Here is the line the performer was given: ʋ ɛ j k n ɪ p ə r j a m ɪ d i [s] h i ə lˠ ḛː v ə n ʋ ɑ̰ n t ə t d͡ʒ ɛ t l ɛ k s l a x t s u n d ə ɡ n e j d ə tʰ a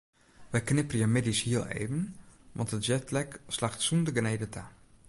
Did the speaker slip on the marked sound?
no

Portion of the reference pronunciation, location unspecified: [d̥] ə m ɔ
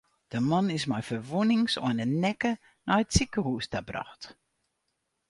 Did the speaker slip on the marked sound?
no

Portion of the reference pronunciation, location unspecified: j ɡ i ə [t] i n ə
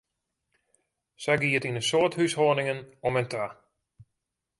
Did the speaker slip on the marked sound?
no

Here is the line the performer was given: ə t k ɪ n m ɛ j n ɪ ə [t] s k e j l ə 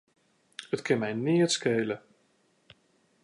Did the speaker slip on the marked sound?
no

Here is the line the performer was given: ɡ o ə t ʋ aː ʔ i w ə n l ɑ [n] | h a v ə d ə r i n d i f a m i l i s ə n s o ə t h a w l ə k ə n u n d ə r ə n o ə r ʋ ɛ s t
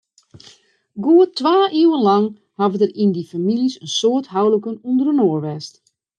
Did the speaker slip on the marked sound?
yes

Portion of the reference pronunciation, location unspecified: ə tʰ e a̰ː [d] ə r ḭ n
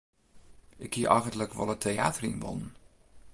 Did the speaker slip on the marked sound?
yes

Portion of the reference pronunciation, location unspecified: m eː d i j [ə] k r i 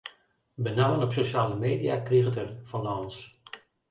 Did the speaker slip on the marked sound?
yes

